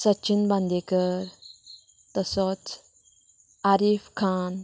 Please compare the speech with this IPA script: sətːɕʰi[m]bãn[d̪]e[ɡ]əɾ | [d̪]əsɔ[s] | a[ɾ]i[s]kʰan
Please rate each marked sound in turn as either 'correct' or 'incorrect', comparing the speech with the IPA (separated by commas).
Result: incorrect, correct, incorrect, incorrect, incorrect, correct, incorrect